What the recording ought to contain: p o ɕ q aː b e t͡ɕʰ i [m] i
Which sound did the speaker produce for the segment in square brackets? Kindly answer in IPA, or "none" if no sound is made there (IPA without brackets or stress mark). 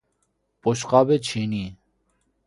n